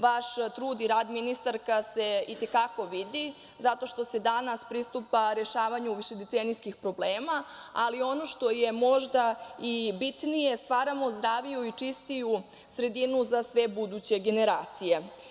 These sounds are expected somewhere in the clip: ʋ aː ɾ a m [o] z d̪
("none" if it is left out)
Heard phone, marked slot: o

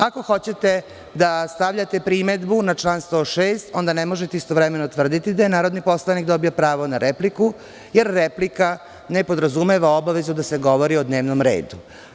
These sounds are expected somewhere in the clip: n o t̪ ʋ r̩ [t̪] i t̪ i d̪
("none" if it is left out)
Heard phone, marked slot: d̪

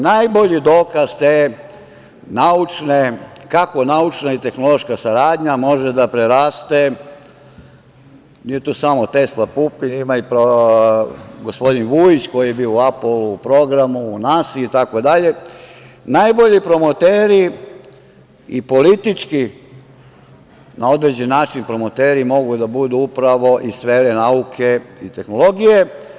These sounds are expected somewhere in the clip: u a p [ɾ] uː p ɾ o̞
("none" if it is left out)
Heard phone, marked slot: l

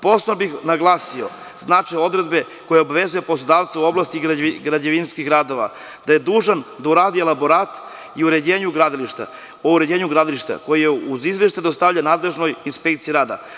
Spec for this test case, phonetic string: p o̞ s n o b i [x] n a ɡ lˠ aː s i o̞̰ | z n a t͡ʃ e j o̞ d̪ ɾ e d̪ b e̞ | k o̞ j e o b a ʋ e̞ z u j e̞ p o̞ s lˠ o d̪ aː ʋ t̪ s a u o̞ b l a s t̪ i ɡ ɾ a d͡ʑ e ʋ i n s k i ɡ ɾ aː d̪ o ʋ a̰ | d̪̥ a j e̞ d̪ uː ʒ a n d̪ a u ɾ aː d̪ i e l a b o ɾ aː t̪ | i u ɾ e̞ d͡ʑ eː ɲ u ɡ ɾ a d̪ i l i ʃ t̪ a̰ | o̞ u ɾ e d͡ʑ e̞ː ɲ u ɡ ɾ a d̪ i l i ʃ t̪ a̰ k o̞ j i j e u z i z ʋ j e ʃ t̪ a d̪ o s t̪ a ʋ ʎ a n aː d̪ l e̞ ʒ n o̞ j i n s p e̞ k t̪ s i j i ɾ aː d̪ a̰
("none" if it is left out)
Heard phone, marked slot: x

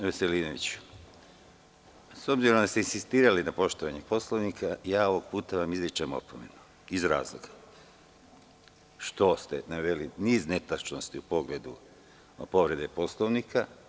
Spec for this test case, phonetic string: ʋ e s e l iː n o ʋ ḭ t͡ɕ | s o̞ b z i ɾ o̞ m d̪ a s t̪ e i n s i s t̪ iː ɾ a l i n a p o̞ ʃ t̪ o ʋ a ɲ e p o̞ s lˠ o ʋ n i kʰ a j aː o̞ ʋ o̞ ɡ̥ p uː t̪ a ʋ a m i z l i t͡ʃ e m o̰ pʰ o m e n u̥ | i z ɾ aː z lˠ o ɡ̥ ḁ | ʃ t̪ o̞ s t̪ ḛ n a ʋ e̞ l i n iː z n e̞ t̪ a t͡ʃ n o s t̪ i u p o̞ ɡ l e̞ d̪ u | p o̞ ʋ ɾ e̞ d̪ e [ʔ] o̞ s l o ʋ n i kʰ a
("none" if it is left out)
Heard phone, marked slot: p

